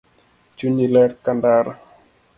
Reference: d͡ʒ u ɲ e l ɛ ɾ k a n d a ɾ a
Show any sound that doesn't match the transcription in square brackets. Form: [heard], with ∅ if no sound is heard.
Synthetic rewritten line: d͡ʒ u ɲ [i] l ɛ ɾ k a n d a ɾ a

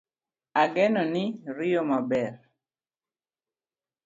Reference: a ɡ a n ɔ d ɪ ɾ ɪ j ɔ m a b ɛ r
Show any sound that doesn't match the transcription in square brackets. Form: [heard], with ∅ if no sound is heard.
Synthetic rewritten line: a ɡ [ɛ] n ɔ [n] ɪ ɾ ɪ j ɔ m a b ɛ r

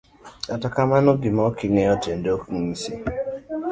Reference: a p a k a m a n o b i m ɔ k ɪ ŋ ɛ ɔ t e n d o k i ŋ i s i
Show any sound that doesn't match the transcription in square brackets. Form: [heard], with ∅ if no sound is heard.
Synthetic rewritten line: a [t] a k a m a n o [ɡ] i m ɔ k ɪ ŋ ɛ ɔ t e n d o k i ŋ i s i

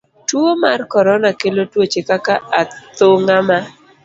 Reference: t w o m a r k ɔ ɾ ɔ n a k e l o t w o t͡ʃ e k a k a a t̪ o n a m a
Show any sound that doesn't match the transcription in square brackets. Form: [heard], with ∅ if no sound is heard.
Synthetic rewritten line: t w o m a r k ɔ ɾ ɔ n a k e l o t w o t͡ʃ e k a k a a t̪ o [ŋ] a m a

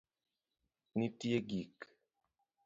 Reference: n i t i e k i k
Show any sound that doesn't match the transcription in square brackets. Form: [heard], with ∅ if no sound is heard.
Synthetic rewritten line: n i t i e [ɡ] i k

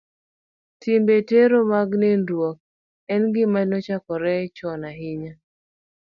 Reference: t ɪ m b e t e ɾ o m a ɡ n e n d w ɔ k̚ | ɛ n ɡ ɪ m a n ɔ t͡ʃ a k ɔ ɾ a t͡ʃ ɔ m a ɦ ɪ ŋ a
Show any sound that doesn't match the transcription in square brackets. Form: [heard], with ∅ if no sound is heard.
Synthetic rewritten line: t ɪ m b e t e ɾ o m a ɡ n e n d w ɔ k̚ | ɛ n ɡ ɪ m a n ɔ t͡ʃ a k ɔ ɾ [ɛ] t͡ʃ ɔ [n] a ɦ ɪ [ɲ] a

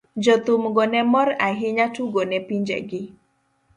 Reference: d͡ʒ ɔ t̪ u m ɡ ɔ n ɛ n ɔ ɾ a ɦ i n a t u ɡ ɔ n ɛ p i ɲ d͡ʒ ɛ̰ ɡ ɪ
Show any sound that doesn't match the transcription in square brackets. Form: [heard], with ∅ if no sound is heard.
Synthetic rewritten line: d͡ʒ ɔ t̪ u m ɡ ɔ n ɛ [m] ɔ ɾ a ɦ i [ɲ] a t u ɡ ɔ n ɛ p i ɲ d͡ʒ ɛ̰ ɡ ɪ

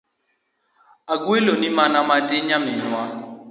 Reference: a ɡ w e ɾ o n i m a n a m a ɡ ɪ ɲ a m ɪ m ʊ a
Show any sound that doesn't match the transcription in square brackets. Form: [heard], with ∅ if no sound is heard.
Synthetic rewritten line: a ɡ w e [l] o n i m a n a m a [d] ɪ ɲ a m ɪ [n] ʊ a

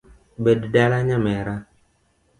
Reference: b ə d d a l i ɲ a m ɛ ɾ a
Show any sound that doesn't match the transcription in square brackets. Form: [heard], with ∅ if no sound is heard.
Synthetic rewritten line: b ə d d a l [a] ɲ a m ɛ ɾ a

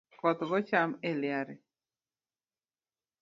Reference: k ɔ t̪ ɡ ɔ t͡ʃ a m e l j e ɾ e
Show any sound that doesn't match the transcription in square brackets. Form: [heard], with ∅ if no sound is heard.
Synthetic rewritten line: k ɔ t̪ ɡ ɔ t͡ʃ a m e l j [a] ɾ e

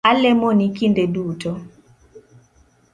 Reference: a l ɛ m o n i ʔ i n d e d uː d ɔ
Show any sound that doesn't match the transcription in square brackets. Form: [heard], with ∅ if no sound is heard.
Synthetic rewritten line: a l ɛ m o n i [k] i n d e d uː [t] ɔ

